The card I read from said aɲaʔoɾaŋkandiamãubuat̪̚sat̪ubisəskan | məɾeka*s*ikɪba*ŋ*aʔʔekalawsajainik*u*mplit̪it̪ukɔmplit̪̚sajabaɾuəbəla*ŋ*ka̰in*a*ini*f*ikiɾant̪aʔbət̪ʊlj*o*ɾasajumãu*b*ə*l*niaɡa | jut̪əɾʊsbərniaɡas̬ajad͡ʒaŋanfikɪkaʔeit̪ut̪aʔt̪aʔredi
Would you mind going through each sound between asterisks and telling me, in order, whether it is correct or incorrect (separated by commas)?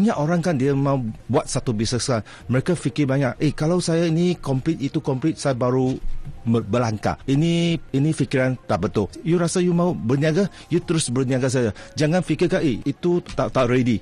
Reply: incorrect, incorrect, incorrect, correct, incorrect, correct, incorrect, correct, incorrect